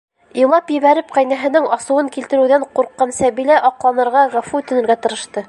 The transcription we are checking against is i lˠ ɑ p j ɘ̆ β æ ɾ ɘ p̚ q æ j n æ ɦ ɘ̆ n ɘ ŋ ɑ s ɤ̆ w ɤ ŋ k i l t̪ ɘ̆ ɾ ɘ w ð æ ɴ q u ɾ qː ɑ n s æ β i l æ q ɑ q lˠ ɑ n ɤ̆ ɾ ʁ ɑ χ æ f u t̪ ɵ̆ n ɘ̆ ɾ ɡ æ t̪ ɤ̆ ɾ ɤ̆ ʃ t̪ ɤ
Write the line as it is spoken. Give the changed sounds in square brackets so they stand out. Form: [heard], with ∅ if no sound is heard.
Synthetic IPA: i lˠ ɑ p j ɘ̆ β æ ɾ ɘ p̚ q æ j n æ ɦ ɘ̆ n ɘ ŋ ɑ s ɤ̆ w ɤ ŋ k i l t̪ ɘ̆ ɾ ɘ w ð æ ɴ q u ɾ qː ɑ n s æ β i l æ [ʔ] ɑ q lˠ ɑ n ɤ̆ ɾ ʁ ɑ [ʁ] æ f u t̪ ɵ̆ n ɘ̆ ɾ ɡ æ t̪ ɤ̆ ɾ ɤ̆ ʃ t̪ ɤ